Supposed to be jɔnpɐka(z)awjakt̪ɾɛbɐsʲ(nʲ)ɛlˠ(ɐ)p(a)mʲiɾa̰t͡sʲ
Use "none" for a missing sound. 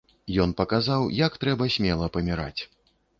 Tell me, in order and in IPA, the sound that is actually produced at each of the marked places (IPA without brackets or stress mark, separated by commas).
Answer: z, mʲ, ɐ, ɐ